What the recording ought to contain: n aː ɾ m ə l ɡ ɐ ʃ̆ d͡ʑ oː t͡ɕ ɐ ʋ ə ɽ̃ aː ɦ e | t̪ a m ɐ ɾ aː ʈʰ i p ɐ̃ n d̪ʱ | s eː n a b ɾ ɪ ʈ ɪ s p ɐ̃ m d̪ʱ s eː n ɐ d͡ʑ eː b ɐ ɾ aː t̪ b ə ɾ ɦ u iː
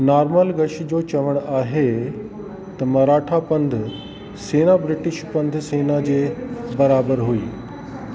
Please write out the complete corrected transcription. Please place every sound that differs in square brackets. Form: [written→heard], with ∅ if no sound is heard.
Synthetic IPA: n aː ɾ m ə l ɡ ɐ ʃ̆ d͡ʑ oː t͡ɕ ɐ ʋ ə ɽ̃ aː ɦ e | t̪ [a→ɐ] m ɐ ɾ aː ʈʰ [i→a] p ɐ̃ n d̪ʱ | s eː n a b ɾ ɪ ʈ ɪ [s→ʃ] p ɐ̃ [m→n] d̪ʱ s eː n [ɐ→a] d͡ʑ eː b ɐ ɾ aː [t̪→∅] b ə ɾ ɦ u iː